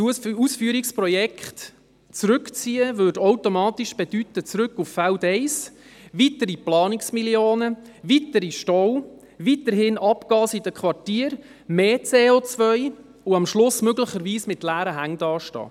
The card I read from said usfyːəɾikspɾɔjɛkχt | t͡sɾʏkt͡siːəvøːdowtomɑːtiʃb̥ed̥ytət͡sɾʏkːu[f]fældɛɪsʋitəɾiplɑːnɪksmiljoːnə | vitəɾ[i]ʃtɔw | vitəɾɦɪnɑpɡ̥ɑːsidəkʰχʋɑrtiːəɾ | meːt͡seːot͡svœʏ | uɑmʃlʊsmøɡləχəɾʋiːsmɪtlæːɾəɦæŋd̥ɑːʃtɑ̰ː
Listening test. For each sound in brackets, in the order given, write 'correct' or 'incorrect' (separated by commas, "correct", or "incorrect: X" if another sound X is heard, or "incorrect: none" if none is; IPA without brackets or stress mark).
correct, correct